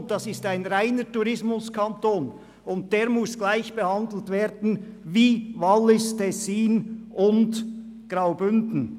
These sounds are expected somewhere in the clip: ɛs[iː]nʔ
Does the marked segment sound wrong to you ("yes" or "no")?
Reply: no